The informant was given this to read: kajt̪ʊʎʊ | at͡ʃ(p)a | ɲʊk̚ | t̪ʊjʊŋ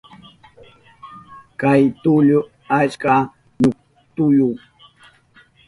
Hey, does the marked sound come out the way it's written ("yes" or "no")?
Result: no